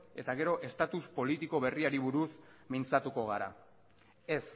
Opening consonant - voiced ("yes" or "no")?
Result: no